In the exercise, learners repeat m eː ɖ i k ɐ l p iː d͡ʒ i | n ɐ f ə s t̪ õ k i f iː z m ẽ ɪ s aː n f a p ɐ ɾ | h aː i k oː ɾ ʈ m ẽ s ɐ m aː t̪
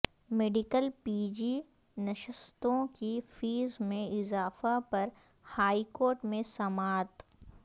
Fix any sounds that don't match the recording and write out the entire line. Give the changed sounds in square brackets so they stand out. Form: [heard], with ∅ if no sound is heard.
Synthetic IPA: m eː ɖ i k [ə] l p iː d͡ʒ i | n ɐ [ʃ] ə s t̪ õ k i f iː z m ẽ ɪ [z] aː [∅] f a p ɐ ɾ | h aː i k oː ɾ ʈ m ẽ s ɐ m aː t̪